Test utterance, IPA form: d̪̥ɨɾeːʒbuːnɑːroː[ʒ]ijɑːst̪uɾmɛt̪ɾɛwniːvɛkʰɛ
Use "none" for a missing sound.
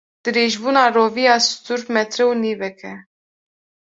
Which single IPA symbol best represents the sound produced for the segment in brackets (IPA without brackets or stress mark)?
v